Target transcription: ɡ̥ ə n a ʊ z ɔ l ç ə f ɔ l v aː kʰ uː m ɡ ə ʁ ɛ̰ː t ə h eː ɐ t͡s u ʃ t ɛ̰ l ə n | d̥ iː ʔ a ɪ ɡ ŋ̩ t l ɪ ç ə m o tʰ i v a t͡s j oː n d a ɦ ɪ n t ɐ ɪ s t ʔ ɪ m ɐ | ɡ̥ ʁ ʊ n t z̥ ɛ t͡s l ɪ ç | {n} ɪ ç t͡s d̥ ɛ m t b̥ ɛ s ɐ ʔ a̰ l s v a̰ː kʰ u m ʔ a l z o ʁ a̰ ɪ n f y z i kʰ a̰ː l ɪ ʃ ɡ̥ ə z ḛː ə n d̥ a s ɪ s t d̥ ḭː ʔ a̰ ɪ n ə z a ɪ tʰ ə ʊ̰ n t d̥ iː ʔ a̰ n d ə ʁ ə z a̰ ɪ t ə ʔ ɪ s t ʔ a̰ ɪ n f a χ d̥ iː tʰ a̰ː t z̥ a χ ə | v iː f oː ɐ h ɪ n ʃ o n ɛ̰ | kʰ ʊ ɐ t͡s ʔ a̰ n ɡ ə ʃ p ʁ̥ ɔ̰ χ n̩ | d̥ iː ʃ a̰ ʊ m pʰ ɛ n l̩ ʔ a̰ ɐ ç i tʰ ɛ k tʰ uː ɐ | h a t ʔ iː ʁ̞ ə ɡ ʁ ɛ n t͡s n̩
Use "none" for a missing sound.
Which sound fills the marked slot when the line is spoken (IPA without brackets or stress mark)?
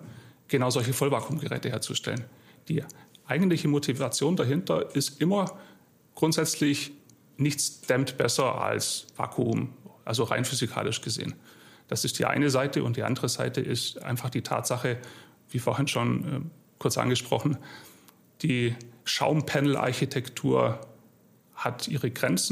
n